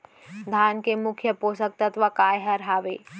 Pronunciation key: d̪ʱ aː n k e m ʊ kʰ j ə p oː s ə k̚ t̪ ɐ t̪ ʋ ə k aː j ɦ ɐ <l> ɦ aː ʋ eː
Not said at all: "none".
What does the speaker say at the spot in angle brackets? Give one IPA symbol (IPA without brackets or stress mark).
ɾ